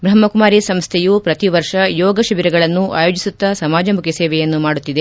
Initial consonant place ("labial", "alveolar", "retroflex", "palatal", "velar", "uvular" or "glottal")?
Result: labial